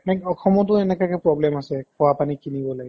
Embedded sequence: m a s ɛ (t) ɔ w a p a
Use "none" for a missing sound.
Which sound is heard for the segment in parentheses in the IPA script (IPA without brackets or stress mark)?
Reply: k